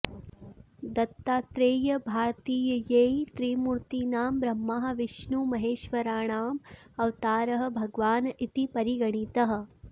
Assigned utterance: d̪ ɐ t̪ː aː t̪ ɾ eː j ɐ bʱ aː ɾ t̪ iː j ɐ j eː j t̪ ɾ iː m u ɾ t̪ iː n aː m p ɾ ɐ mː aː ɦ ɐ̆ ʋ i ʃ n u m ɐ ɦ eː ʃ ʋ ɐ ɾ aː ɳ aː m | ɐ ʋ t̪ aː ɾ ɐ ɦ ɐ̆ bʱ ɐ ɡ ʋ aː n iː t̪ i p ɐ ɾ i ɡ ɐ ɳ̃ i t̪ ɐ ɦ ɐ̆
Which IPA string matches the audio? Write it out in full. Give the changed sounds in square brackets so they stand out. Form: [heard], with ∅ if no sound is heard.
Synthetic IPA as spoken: d̪ ɐ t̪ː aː t̪ ɾ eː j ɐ bʱ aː ɾ t̪ iː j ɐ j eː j t̪ ɾ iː m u ɾ t̪ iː n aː m [b] ɾ ɐ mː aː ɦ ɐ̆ ʋ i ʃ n u m ɐ ɦ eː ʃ ʋ ɐ ɾ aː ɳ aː m | ɐ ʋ t̪ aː ɾ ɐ ɦ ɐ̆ bʱ ɐ ɡ ʋ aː n [i] t̪ i p ɐ ɾ i ɡ ɐ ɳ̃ i t̪ ɐ ɦ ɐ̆